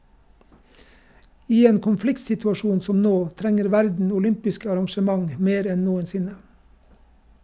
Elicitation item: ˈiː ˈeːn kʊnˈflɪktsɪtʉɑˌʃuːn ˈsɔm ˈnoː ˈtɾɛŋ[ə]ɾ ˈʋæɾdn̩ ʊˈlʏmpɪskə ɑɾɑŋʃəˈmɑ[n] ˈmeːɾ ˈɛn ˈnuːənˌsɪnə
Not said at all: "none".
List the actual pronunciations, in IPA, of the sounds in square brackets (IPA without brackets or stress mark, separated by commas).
ə, ŋ